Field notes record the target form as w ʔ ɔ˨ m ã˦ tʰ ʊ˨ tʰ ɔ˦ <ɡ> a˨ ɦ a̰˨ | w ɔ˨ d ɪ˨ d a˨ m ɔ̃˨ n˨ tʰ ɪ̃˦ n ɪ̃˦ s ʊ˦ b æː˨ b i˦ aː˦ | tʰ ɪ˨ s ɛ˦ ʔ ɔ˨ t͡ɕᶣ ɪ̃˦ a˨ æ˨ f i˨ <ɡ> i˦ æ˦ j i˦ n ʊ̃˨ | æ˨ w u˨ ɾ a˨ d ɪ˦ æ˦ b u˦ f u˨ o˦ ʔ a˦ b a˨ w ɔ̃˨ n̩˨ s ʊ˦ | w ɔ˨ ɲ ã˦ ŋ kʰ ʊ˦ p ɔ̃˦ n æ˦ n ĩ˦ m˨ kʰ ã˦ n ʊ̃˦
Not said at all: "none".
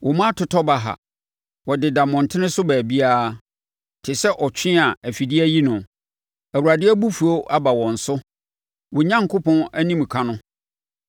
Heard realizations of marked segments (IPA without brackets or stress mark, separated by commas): b, d